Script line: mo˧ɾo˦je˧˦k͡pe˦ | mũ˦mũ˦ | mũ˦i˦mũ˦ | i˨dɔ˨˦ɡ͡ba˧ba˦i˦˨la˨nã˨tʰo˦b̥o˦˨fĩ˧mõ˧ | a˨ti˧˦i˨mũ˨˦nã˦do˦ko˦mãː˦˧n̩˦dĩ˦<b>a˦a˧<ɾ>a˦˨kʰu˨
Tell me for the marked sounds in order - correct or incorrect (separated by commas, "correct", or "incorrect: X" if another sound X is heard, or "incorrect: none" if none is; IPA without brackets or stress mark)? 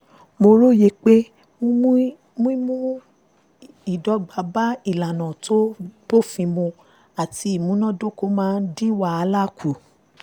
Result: incorrect: w, incorrect: l